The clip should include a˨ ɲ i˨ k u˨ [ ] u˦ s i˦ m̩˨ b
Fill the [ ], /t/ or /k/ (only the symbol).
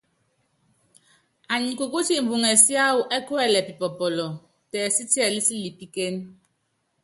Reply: k